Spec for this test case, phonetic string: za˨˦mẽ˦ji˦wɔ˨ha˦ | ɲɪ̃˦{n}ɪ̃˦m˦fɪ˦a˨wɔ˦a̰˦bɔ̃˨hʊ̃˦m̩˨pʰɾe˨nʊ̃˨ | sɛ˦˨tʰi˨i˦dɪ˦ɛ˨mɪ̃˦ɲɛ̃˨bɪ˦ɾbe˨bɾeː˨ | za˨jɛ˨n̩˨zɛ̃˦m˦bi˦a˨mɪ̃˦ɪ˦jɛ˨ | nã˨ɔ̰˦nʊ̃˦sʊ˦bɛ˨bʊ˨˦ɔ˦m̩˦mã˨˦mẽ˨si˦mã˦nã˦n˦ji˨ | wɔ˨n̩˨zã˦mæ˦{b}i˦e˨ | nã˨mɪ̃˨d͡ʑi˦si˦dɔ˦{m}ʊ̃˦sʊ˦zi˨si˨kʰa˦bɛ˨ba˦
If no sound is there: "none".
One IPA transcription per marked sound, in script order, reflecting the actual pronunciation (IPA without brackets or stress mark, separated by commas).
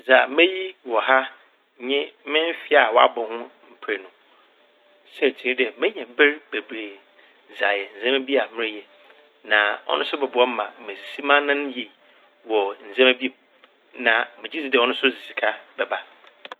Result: m, b, n